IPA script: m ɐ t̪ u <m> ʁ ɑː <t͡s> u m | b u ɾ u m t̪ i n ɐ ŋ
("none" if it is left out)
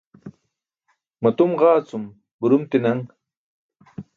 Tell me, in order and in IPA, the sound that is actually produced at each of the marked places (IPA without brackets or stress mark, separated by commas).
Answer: m, t͡s